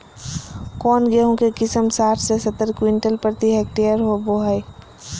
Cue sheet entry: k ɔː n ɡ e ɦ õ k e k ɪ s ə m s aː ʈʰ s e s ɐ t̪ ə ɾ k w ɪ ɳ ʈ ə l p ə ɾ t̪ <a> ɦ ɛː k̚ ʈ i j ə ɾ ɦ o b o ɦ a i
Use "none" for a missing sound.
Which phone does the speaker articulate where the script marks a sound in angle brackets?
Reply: i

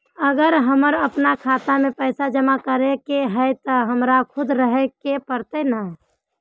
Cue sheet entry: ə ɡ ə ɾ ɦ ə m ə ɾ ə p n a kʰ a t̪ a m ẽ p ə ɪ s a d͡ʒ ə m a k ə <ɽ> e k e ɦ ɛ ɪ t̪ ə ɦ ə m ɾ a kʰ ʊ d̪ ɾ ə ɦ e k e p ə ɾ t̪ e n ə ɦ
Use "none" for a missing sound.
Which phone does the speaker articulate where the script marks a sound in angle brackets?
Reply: ɾ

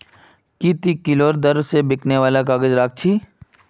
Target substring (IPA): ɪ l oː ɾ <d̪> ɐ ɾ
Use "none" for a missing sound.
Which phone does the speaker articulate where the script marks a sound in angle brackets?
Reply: d̪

